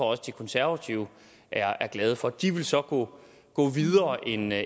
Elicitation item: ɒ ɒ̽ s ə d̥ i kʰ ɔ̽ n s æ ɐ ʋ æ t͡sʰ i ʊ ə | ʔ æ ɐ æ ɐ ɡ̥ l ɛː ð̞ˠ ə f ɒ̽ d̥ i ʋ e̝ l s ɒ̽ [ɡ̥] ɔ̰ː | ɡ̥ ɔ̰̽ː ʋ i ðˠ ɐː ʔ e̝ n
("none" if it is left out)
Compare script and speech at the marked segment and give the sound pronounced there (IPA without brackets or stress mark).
ɡ̥